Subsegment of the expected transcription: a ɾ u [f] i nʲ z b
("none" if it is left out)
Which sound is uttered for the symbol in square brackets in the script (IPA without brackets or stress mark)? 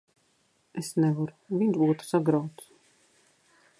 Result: v